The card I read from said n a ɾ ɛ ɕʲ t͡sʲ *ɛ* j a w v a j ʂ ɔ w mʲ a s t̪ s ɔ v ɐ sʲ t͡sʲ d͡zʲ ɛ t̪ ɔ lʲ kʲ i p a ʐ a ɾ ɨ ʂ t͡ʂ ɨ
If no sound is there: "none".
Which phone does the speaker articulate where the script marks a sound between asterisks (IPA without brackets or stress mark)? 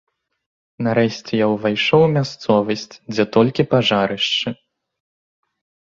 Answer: ɛ